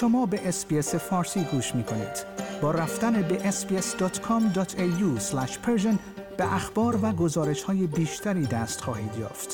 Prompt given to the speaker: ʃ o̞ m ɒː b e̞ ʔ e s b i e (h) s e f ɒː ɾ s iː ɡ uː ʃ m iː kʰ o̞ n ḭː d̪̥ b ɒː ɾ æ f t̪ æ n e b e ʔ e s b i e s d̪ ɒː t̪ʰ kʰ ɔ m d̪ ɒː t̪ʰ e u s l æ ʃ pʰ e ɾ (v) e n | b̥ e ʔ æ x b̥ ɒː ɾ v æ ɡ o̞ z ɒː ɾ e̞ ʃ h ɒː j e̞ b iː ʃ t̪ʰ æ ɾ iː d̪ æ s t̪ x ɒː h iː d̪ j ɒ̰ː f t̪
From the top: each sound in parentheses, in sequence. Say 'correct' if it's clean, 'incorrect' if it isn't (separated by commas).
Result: incorrect, incorrect